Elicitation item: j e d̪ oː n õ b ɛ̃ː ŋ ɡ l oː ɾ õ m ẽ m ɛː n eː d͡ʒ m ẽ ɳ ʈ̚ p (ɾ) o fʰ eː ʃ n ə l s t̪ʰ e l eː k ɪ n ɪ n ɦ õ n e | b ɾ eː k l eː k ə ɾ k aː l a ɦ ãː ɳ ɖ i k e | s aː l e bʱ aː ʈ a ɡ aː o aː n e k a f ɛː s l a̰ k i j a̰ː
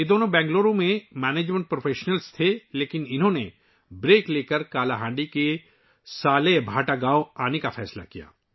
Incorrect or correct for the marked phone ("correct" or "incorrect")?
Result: correct